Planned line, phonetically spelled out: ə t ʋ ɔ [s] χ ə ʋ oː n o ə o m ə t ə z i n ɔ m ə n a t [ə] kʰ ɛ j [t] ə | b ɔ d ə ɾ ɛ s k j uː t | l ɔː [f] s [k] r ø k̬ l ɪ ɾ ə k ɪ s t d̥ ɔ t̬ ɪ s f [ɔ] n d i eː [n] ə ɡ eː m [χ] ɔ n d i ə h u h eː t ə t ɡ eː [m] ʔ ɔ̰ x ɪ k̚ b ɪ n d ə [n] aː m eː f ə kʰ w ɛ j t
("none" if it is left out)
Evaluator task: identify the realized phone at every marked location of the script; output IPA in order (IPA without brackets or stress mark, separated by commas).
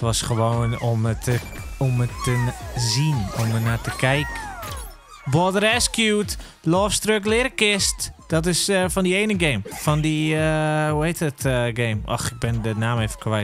s, ə, k, f, t, ɔ, n, f, m, n